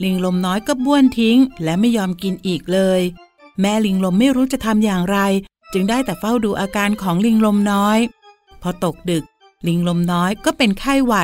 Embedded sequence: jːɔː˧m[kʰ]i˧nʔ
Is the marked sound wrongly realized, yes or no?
yes